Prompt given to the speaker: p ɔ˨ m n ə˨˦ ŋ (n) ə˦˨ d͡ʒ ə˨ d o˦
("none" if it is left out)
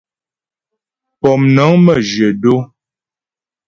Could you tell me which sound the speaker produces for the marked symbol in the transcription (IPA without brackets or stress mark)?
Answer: m